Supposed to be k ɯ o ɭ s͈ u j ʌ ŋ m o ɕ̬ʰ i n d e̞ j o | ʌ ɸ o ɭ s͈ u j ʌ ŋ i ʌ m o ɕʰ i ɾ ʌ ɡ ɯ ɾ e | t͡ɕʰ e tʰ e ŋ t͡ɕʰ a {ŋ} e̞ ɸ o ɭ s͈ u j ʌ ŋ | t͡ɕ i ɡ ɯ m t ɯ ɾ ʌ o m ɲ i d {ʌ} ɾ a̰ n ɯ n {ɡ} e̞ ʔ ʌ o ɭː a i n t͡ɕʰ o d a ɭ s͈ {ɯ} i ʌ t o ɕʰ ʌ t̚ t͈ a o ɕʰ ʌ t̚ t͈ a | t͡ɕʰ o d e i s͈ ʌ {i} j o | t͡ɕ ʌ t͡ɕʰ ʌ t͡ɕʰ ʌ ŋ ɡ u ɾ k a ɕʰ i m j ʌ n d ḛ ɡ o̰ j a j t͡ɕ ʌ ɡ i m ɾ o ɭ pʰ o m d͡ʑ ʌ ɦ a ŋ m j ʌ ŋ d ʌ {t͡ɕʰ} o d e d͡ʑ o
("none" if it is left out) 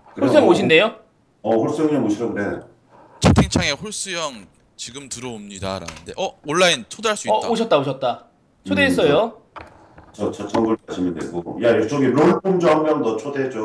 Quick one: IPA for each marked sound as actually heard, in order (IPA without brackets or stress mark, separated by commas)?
ŋ, a, d, u, j, t͡ɕʰ